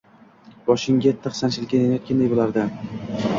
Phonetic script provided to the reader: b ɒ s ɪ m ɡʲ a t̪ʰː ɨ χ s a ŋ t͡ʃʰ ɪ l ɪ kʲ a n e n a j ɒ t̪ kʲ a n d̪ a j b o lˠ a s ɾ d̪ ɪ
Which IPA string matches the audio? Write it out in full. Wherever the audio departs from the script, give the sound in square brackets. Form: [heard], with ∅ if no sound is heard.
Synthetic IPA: b ɒ [ʃ] ɪ [ŋ] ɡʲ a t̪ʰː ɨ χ s a [n] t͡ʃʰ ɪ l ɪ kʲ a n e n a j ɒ t̪ kʲ a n d̪ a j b o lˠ a [∅] ɾ d̪ ɪ